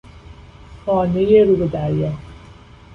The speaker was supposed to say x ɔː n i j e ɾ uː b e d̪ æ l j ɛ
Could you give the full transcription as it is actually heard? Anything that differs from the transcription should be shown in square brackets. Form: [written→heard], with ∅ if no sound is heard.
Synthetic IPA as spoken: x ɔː n [i→e] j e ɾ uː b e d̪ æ [l→ɾ] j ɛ